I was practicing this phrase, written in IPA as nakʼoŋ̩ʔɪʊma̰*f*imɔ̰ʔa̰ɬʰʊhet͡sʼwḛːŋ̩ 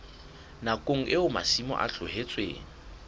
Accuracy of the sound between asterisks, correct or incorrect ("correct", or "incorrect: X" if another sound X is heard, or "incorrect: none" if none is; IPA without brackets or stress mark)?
incorrect: s